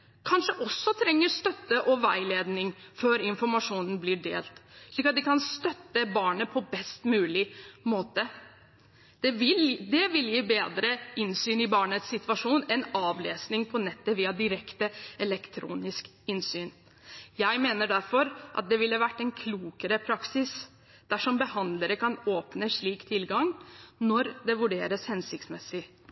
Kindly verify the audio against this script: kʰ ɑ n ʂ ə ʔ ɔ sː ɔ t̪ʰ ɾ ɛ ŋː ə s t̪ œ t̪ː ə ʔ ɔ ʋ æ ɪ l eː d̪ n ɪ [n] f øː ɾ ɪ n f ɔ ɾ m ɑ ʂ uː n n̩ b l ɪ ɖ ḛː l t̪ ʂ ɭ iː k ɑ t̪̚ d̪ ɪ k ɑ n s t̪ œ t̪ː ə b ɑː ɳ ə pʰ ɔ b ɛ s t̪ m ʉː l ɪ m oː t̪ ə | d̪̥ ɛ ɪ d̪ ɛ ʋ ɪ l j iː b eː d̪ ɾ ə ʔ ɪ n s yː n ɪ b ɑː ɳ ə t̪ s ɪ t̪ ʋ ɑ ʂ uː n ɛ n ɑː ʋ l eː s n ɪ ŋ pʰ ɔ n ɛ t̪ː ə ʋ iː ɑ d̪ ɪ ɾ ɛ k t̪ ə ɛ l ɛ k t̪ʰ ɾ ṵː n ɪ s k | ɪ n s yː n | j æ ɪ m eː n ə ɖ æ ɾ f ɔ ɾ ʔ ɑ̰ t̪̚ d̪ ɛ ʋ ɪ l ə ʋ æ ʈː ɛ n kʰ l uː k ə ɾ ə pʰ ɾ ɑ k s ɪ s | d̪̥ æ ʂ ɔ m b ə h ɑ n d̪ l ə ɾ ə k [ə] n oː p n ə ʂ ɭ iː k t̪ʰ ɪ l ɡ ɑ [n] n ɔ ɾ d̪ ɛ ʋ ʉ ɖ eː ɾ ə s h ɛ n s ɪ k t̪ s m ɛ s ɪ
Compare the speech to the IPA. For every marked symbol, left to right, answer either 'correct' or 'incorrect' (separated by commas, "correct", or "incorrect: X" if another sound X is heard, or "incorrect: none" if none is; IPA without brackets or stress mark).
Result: incorrect: ŋ, incorrect: ɑ, incorrect: ŋ